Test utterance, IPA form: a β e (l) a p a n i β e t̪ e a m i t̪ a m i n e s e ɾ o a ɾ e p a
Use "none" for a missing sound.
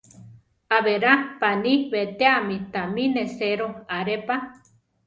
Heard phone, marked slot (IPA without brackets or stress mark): ɾ